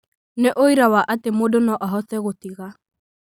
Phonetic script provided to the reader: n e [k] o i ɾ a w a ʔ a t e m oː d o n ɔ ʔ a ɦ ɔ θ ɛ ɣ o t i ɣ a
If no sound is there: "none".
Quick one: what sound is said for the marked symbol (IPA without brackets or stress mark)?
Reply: ʔ